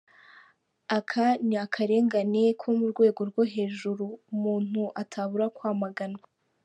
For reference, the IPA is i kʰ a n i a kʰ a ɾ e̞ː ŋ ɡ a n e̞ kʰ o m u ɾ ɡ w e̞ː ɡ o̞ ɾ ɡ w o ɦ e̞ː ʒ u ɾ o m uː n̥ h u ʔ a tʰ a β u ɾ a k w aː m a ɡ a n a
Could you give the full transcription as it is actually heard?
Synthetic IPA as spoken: a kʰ a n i a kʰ a ɾ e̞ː ŋ ɡ a n e̞ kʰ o m u ɾ ɡ w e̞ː ɡ o̞ ɾ ɡ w o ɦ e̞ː ʒ u ɾ u m uː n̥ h u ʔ a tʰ a β u ɾ a k w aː m a ɡ a n a